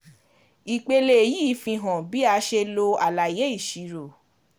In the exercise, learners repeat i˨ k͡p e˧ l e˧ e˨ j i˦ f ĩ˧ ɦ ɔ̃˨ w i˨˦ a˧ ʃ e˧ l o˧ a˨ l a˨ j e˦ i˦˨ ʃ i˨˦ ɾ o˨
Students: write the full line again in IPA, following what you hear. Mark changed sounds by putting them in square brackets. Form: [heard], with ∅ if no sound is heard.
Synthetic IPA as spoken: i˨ k͡p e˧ l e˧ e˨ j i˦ f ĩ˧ ɦ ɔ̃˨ [b] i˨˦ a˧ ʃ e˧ l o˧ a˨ l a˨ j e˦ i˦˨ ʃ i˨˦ ɾ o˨